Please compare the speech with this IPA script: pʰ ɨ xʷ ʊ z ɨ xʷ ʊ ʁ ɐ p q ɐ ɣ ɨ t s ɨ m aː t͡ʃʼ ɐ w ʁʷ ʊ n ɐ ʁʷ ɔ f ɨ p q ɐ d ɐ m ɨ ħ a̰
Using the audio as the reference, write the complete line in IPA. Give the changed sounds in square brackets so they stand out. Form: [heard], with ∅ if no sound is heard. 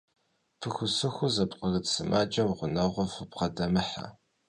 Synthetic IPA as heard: pʰ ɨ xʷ ʊ [s] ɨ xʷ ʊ [z] ɐ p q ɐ ɣ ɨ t s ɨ m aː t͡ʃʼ ɐ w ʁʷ ʊ n ɐ ʁʷ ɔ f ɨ p q ɐ d ɐ m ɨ ħ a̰